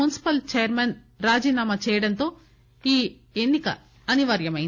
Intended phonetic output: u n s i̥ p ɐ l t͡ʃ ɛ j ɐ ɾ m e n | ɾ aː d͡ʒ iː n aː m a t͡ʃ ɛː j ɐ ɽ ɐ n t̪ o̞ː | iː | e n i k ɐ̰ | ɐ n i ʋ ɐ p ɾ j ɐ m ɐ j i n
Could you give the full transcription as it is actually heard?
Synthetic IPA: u n s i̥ p ɐ l t͡ʃ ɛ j ɐ ɾ m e n | ɾ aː d͡ʒ iː n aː m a t͡ʃ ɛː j ɐ ɽ ɐ n t̪ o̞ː | iː | e nː i k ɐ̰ | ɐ n i ʋ ɐ ɾ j ɐ m ɐ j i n